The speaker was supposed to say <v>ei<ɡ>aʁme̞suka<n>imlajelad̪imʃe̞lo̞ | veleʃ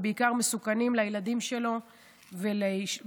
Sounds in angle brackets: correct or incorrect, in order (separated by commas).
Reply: incorrect, incorrect, correct